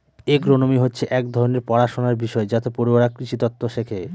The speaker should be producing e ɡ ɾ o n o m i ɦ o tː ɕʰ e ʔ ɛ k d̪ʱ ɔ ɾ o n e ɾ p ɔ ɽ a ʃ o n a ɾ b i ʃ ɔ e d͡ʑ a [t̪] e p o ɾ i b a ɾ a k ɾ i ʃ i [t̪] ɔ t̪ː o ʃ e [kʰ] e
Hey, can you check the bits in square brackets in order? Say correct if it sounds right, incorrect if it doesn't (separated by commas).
correct, correct, correct